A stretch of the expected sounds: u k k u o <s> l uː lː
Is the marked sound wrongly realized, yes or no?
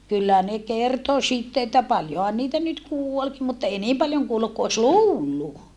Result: no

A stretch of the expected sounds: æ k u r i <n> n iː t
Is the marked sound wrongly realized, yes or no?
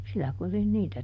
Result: no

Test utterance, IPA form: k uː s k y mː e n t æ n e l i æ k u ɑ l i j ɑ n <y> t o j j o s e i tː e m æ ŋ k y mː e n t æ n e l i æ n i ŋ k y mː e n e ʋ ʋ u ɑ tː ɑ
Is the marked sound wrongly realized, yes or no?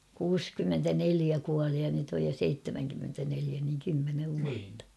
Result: no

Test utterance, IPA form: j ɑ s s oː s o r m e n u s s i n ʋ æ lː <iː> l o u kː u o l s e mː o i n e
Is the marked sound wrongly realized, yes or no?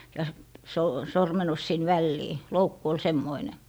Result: no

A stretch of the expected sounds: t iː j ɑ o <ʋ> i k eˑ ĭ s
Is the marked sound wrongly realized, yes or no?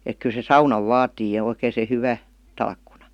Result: yes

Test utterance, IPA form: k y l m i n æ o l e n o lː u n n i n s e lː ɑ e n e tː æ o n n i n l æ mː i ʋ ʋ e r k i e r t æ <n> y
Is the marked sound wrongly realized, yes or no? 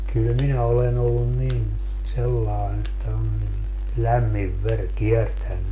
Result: yes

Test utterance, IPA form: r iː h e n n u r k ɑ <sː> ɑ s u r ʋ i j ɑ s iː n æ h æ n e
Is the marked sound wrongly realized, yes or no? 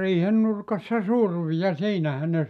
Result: no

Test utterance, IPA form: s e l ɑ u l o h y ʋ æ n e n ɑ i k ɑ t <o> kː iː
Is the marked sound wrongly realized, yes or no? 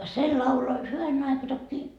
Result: no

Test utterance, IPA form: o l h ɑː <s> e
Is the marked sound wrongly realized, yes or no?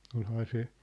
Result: no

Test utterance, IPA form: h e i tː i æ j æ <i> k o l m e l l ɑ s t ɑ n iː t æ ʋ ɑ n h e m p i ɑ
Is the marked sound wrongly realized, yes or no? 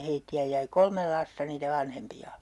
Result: no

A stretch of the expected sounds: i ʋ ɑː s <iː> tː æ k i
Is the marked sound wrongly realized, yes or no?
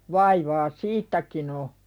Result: no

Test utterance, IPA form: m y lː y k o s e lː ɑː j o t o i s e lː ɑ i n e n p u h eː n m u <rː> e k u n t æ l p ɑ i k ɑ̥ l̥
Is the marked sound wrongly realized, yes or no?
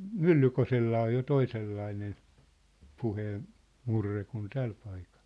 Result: no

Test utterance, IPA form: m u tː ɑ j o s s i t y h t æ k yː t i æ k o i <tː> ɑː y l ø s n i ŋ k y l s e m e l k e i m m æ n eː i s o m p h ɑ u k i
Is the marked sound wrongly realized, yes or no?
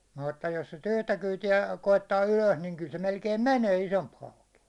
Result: no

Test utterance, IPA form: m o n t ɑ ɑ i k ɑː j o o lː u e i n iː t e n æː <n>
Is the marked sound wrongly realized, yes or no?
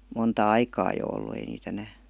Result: yes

